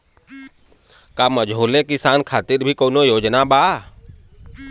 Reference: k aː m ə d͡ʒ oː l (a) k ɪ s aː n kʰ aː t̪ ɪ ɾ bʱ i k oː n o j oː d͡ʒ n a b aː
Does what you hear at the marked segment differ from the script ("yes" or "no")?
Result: yes